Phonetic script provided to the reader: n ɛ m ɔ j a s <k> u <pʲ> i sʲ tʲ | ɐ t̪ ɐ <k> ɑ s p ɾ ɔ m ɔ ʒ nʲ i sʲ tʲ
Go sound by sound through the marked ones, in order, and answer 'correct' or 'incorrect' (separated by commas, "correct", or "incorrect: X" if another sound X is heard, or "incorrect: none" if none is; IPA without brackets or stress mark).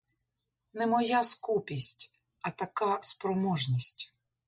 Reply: correct, correct, correct